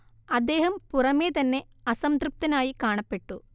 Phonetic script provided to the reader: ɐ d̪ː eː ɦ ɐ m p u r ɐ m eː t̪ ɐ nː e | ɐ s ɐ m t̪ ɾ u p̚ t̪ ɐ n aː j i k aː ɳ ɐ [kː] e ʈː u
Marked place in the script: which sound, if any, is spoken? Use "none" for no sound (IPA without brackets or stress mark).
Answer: pː